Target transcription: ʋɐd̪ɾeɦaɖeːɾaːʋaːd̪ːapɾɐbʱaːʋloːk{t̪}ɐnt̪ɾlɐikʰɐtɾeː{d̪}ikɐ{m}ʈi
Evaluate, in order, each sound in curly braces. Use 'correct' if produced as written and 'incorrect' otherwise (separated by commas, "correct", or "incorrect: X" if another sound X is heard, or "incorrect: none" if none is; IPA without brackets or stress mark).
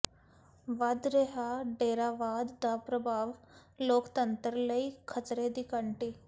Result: correct, correct, incorrect: ɳ